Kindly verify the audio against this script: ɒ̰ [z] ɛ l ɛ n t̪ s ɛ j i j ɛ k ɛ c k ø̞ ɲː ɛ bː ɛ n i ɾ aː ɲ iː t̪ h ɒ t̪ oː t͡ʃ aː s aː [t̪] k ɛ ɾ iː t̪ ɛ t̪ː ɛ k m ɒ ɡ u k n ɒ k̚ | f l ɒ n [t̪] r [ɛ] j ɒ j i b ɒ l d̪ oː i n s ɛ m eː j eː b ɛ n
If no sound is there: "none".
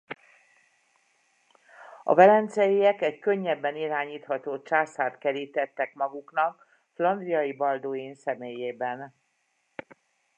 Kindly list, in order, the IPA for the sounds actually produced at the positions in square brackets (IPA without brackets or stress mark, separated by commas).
v, t̪, d̪, i